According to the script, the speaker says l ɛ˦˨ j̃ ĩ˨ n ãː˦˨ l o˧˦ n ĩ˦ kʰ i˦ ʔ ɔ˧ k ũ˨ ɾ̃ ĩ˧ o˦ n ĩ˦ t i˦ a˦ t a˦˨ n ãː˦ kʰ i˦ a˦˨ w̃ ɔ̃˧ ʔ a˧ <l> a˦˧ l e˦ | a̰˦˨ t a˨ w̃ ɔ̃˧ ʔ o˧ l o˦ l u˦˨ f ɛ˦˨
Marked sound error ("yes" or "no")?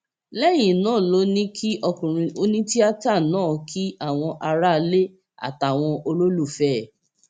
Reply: yes